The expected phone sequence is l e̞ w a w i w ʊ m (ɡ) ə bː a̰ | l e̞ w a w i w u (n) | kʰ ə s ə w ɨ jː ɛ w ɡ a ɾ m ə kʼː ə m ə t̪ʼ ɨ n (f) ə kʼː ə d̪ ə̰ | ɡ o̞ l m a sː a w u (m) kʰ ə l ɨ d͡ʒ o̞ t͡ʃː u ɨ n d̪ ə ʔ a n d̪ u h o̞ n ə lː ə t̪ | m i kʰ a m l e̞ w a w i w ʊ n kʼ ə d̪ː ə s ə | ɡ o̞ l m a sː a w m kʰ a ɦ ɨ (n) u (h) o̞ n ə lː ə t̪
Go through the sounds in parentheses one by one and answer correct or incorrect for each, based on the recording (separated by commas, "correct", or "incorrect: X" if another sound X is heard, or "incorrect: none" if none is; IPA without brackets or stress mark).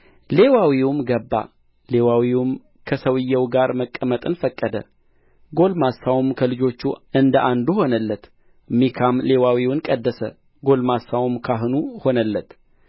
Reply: correct, incorrect: m, correct, correct, correct, correct